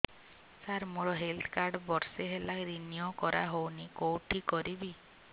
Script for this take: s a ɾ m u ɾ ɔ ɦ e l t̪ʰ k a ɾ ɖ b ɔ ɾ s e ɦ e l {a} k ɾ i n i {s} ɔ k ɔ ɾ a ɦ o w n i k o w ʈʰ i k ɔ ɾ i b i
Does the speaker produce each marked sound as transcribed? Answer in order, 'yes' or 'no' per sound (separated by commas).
yes, no